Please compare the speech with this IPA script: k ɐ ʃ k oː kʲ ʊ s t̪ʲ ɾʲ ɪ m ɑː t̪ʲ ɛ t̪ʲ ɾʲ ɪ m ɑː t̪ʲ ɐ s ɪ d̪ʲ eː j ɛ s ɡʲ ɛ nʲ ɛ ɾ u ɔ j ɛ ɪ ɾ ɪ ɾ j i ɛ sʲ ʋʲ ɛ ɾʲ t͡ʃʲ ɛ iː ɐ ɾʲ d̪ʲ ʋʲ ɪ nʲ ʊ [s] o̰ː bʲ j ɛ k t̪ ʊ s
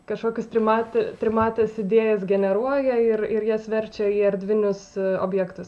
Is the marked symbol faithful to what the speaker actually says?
yes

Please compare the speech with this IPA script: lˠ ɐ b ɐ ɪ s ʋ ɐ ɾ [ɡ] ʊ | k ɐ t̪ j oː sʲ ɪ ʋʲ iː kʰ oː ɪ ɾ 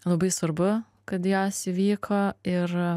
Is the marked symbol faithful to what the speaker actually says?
no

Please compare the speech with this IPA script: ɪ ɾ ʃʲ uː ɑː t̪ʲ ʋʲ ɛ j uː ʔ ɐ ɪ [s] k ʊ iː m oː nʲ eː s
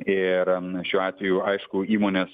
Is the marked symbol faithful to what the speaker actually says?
no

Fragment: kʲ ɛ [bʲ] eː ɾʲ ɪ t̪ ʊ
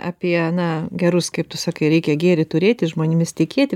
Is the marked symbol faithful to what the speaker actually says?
no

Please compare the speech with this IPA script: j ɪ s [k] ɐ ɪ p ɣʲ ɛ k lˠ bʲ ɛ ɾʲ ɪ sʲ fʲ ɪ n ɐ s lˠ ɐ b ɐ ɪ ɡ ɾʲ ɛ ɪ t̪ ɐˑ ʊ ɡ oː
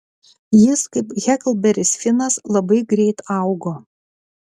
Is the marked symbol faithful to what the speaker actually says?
yes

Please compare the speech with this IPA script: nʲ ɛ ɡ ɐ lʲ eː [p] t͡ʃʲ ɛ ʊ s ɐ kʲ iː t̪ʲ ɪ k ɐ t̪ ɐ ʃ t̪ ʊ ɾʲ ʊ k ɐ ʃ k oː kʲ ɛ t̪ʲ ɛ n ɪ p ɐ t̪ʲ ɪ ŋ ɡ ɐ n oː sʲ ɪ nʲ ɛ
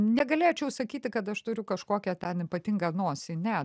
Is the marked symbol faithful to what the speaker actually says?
no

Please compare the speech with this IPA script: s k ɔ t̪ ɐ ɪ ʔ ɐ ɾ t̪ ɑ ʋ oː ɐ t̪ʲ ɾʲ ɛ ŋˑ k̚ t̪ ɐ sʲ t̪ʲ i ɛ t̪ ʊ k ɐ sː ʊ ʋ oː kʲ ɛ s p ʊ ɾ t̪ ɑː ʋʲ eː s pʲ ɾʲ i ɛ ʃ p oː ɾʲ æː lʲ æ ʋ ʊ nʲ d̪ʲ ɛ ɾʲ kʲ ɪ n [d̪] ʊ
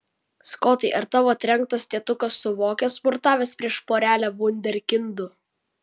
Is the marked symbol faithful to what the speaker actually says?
yes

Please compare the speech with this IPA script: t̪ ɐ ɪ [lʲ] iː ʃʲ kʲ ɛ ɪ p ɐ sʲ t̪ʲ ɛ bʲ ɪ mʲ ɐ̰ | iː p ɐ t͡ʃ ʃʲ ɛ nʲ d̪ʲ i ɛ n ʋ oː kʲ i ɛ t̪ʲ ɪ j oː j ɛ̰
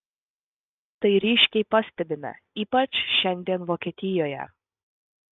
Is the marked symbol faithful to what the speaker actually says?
no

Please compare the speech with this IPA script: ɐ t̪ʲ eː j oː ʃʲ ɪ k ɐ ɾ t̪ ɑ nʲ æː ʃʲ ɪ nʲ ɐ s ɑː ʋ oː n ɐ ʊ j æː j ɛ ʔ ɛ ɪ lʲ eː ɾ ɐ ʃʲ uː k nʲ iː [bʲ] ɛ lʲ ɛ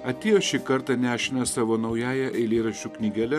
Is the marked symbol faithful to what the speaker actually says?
no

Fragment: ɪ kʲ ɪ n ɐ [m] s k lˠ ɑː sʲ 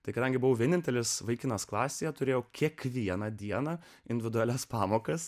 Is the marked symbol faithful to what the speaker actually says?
no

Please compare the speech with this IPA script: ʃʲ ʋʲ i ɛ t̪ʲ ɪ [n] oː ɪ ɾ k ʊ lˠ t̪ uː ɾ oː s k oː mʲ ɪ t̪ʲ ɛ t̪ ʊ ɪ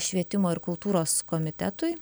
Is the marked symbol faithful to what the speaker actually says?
no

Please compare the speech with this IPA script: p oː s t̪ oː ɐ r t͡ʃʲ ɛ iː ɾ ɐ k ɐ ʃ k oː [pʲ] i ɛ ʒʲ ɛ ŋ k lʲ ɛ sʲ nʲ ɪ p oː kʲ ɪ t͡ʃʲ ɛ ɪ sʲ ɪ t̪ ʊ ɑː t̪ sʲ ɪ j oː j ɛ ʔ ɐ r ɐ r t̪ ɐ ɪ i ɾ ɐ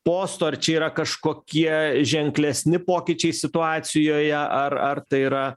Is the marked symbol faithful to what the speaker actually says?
no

